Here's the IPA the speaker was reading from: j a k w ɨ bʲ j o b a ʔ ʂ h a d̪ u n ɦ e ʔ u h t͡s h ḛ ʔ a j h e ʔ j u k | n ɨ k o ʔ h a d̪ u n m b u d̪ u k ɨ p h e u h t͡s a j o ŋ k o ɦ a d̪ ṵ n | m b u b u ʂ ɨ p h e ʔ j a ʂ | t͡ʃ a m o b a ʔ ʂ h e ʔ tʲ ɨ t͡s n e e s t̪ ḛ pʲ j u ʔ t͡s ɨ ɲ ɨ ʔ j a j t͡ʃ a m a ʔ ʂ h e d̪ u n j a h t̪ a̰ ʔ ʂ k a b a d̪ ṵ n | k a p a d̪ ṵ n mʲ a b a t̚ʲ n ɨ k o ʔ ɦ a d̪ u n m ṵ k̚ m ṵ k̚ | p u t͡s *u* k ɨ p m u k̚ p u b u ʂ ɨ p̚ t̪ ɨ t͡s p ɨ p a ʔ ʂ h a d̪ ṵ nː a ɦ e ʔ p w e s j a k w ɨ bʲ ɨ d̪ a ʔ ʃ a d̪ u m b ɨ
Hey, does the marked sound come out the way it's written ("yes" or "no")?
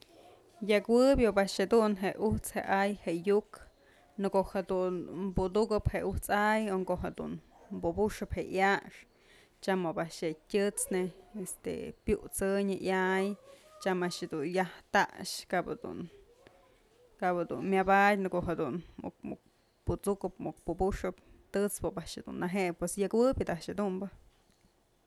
yes